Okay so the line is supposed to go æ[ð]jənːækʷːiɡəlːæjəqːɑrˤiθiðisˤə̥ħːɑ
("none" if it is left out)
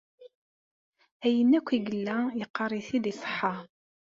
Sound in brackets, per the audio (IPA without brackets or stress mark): none